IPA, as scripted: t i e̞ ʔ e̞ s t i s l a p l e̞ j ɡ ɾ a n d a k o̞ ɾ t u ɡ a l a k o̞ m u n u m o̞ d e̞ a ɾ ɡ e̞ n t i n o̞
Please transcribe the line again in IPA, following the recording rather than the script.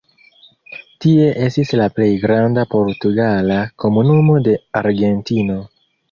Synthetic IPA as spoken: t i e̞ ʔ e̞ s t i s l a p l e̞ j ɡ ɾ a n d a p o̞ ɾ t u ɡ a l a k o̞ m u n u m o̞ d e̞ a ɾ ɡ e̞ n t i n o̞